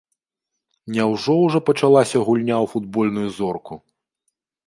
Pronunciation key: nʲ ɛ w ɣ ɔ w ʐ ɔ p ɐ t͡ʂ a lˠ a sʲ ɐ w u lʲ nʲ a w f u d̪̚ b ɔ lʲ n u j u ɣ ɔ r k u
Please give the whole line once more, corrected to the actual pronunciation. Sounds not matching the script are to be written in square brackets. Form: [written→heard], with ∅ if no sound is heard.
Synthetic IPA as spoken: nʲ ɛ w [ɣ→ʐ] ɔ w ʐ ɔ p ɐ t͡ʂ a lˠ a sʲ ɐ [w→ɣ] u lʲ nʲ a w f u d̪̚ b ɔ lʲ n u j u [ɣ→z] ɔ r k u